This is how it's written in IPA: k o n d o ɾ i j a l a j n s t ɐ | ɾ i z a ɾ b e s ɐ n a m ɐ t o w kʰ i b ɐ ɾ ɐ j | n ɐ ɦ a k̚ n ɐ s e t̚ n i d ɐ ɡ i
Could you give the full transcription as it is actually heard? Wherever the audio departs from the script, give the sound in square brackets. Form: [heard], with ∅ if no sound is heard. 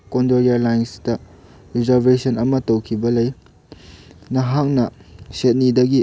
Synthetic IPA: k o n d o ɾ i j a l a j n s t ɐ | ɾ i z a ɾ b e s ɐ n [ɐ] m ɐ t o w kʰ i b ɐ [l] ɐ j | n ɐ ɦ a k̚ n ɐ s e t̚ n i d ɐ ɡ i